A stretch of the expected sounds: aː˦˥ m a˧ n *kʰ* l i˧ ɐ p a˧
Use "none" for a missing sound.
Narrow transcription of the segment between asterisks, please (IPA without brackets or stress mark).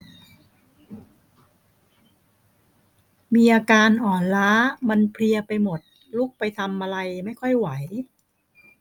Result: pʰ